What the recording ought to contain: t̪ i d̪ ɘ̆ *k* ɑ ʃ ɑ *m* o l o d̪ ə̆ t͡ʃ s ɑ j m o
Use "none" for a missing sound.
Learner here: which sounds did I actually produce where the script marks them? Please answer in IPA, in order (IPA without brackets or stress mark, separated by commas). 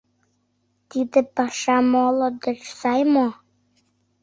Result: p, m